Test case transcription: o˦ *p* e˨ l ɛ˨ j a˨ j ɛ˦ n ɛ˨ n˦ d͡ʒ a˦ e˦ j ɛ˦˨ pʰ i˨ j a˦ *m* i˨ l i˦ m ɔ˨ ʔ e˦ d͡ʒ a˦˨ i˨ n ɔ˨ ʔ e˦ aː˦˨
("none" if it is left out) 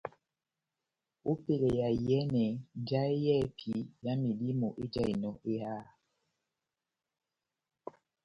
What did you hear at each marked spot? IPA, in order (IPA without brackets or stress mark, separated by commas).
p, m